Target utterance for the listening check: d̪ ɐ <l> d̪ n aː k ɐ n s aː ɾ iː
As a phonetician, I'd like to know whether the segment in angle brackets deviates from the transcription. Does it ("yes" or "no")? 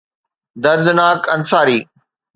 yes